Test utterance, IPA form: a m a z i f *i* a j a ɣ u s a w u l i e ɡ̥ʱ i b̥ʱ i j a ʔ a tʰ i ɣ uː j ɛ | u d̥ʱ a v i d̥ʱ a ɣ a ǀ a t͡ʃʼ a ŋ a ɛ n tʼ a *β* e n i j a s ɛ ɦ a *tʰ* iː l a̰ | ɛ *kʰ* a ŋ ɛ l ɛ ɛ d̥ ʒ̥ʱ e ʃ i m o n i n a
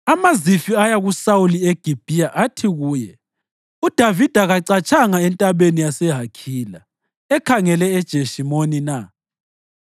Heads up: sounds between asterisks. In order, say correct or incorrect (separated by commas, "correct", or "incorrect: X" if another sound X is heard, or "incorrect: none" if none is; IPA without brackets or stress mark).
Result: correct, correct, incorrect: kʰ, correct